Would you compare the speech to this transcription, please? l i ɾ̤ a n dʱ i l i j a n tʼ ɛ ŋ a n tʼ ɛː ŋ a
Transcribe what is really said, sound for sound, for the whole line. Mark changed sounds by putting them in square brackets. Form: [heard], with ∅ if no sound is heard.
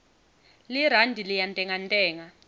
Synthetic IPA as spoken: l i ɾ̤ a n dʱ i l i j a n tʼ ɛ ŋ a n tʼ ɛː ŋ a

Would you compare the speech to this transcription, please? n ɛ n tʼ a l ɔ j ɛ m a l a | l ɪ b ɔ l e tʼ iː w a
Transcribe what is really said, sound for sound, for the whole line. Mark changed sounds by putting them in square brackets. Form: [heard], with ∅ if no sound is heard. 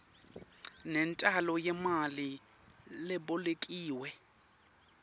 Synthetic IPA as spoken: n ɛ n tʼ a l ɔ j ɛ m a l [i] | l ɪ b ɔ l e [kʼ] iː w [ɛ]

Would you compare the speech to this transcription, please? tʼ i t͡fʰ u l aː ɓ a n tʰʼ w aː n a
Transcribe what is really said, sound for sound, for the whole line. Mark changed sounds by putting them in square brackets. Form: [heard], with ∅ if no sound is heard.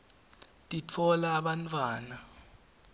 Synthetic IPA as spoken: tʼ i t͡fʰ [ɔ] l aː ɓ a n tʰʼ w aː n a

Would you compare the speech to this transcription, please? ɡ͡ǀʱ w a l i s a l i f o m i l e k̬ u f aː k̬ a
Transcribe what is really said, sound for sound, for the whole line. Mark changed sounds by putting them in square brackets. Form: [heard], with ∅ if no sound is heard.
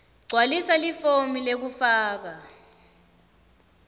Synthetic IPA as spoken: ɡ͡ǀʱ w a l i s a l i f o m i l e k̬ u f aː k̬ a

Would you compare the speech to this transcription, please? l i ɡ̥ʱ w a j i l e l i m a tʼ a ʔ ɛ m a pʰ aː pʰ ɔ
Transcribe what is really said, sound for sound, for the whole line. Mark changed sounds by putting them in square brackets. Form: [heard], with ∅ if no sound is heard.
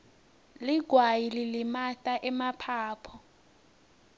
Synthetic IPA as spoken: l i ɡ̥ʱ w a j i l [i] l i m a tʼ a ʔ ɛ m a pʰ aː pʰ ɔ

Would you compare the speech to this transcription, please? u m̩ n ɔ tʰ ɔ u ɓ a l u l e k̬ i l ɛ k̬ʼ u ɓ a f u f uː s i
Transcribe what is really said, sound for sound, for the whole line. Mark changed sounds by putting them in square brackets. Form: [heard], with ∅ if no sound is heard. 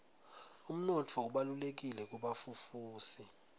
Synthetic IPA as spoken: u m̩ n ɔ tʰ ɔ u ɓ a l u l e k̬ i l ɛ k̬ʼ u ɓ a f u f uː s i

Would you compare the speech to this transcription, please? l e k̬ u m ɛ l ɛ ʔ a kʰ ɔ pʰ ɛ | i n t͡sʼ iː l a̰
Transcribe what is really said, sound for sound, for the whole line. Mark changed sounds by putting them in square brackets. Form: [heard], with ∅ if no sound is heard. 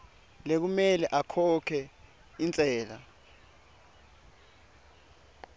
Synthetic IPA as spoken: l e k̬ u m ɛ l ɛ ʔ a kʰ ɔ [kʰ] ɛ | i n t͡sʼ [ɛː] l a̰

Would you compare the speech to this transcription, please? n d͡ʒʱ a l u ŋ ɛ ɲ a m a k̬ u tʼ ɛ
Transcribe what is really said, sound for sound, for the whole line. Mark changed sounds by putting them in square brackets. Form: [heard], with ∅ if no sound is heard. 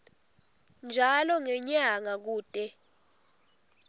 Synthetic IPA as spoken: n d͡ʒʱ a l [ɔ] ŋ ɛ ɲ a [ŋ] a k̬ [uː] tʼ ɛ

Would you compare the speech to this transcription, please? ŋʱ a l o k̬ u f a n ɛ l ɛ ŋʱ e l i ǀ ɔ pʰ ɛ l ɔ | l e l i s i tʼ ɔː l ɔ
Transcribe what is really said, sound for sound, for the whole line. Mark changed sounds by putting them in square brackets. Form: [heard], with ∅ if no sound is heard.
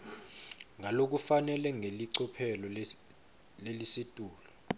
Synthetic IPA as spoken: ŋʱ a l o k̬ u f a n ɛ l ɛ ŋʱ e l i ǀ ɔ pʰ ɛ l ɔ | l e l i s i tʼ [uː] l ɔ

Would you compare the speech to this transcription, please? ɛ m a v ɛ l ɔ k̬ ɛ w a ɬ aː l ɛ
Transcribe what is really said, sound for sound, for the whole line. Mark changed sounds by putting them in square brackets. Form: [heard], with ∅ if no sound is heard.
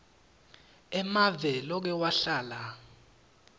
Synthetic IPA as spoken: ɛ m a v ɛ l ɔ k̬ ɛ w a ɬ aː l [a]

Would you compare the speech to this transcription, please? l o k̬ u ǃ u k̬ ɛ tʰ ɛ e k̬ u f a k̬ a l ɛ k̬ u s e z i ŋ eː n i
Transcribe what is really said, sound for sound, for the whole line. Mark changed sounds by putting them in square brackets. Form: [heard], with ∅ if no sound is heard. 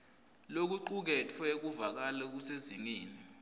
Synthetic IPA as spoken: l o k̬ u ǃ u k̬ ɛ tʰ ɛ e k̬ u [v] a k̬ a l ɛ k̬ u s e z i ŋ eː n i

